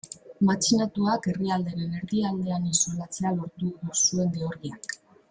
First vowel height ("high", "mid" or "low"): low